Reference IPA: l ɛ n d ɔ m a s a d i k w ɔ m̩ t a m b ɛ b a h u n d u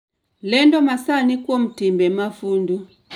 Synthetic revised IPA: l ɛ n d ɔ m a s a n i k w ɔ m̩ t i m b ɛ m a f u n d u